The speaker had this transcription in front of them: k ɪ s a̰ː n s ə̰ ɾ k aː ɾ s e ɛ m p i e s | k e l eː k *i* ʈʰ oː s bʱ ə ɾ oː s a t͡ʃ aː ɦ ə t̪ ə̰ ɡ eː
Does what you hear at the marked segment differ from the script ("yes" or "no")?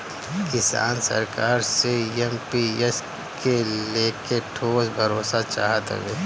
yes